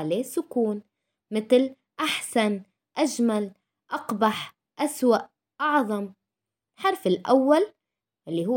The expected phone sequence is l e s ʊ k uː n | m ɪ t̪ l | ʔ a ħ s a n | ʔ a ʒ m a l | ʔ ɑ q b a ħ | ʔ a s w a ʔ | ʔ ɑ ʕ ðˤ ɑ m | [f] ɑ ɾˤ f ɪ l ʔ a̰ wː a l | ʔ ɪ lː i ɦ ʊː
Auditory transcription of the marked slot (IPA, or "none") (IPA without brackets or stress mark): ħ